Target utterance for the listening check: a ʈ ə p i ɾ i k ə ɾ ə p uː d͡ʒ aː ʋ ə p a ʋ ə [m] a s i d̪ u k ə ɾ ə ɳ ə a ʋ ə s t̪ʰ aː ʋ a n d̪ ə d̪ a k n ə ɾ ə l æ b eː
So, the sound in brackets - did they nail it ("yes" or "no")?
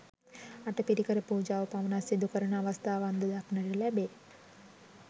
no